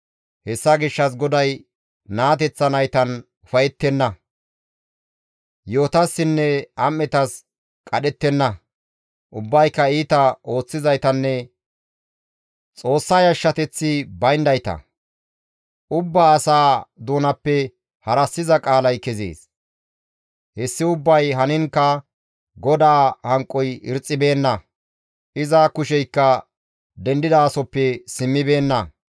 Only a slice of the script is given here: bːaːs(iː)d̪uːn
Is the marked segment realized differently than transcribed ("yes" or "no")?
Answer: yes